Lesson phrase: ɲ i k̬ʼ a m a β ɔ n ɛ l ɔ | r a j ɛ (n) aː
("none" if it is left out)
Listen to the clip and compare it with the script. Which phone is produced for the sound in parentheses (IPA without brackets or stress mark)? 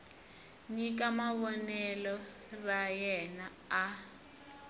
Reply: n